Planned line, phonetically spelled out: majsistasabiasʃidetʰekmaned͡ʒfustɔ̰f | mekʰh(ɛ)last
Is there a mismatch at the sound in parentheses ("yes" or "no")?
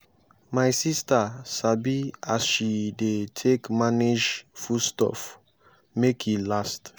yes